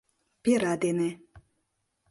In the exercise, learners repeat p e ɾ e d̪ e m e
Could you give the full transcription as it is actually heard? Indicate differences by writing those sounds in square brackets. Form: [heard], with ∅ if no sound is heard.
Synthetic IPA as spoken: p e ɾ [a] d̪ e [n] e

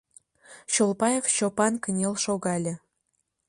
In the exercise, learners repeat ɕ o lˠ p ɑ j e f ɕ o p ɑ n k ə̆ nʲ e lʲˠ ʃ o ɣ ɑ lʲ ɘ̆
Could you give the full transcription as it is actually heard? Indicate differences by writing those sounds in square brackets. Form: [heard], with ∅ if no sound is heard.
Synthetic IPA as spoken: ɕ o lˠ p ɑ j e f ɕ o p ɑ n k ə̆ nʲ e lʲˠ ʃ o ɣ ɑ lʲ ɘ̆

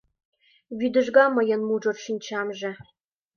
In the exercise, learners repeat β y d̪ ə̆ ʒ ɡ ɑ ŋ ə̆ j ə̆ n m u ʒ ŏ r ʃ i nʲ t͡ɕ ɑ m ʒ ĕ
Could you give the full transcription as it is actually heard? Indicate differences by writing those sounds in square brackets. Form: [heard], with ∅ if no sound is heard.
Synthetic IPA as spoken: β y d̪ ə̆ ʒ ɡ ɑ [m] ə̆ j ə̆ n m u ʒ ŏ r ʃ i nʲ t͡ɕ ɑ m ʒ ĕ

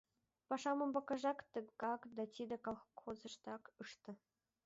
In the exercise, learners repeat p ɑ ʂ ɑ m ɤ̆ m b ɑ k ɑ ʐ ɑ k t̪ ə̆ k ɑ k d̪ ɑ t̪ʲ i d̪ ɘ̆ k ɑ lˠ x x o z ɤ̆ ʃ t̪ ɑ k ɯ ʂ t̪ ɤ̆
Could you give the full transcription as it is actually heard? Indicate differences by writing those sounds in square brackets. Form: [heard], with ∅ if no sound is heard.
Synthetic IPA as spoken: p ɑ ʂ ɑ m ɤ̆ m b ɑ k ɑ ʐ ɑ k t̪ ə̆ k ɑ k d̪ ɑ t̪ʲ i d̪ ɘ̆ k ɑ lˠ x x o z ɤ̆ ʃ t̪ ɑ k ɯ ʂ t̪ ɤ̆

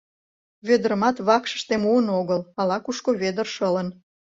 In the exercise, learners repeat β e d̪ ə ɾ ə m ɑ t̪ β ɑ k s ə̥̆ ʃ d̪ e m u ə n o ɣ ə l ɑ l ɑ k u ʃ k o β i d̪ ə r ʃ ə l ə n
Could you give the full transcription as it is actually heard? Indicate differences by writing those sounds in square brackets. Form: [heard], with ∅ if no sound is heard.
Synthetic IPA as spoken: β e d̪ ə ɾ ə m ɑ t̪ β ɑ k [ʃ] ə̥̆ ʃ [t̪] e m u ə n o ɣ ə l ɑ l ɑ k u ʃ k o β [e] d̪ ə r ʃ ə l ə n

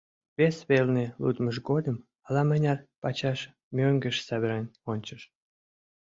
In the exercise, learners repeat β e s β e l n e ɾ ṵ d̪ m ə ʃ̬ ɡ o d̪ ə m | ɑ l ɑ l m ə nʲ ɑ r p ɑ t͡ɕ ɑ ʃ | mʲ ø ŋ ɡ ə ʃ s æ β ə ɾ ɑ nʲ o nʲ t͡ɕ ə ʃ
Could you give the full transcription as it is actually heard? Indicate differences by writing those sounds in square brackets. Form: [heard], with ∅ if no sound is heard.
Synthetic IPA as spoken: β e s β e l n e [l] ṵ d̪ m ə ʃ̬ ɡ o d̪ ə m | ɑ l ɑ [∅] m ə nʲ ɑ r p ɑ t͡ɕ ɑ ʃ | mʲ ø ŋ ɡ ə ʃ s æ β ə ɾ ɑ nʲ o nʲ t͡ɕ ə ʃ

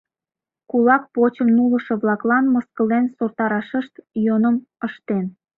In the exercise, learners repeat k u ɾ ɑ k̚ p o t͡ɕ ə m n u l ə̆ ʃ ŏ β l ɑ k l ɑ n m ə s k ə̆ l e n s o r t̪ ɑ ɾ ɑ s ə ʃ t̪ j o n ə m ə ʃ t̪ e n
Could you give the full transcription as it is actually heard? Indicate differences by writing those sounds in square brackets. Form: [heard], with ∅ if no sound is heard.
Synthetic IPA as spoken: k u [l] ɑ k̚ p o t͡ɕ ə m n u l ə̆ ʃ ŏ β l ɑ k l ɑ n m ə s k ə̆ l e n s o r t̪ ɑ ɾ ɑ [ʃ] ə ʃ t̪ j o n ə m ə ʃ t̪ e n

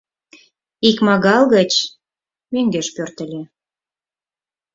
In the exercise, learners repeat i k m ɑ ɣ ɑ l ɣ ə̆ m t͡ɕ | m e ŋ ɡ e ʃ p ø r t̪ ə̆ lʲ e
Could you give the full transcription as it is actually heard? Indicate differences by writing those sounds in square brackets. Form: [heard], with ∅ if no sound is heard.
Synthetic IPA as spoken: i k m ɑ ɣ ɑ l ɣ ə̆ [∅] t͡ɕ | m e ŋ ɡ e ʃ p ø r t̪ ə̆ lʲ e

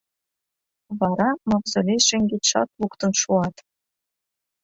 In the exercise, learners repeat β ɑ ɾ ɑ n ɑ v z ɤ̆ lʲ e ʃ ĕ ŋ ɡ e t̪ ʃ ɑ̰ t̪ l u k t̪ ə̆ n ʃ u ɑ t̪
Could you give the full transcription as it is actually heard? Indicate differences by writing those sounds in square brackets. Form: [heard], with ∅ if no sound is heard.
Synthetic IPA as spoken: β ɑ ɾ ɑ [m] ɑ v z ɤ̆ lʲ e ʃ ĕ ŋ ɡ e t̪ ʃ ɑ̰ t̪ l u k t̪ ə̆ n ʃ u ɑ t̪

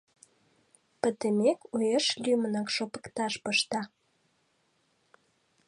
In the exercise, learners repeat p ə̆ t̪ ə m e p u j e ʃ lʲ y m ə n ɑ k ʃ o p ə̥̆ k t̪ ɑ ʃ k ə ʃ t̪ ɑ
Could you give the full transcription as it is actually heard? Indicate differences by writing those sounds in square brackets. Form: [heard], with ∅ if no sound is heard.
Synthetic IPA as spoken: p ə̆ t̪ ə m e [k] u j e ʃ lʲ y m ə n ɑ k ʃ o p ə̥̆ k t̪ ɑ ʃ [p] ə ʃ t̪ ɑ

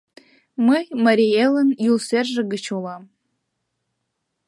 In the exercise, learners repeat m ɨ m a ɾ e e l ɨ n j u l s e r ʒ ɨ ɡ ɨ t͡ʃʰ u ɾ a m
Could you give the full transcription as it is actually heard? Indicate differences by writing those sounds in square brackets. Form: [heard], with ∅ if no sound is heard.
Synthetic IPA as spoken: m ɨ m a ɾ [i] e l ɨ n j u l s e r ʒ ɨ ɡ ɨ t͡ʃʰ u [l] a m

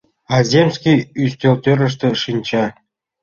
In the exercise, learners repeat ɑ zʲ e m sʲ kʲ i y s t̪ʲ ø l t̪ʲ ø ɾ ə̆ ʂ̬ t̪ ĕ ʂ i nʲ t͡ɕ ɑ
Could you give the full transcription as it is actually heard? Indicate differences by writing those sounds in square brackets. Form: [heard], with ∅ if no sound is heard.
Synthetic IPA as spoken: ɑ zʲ e m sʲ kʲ i y s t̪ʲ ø l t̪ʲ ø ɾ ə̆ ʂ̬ t̪ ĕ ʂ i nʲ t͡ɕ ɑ

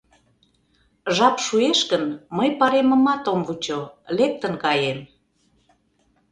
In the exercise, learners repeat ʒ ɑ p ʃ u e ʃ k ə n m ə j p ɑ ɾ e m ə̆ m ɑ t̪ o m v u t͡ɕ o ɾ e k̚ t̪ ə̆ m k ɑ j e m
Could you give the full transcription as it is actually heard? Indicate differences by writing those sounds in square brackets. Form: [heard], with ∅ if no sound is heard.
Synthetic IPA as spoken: ʒ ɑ p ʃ u e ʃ k ə n m ə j p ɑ ɾ e m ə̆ m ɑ t̪ o m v u t͡ɕ o [l] e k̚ t̪ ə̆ [n] k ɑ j e m

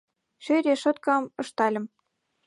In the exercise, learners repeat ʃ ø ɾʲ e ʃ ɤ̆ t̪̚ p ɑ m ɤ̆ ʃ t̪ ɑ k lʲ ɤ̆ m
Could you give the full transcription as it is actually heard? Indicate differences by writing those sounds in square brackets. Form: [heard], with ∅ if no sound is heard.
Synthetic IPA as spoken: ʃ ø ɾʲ e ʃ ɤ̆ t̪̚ [k] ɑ m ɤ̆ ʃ t̪ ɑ [∅] lʲ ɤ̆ m

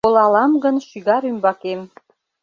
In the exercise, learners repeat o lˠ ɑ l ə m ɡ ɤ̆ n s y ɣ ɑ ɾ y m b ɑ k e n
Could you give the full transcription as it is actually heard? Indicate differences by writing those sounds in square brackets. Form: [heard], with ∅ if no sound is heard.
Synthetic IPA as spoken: o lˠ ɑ l [ɑ] m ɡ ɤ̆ n [ʃ] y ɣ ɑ ɾ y m b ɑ k e [m]

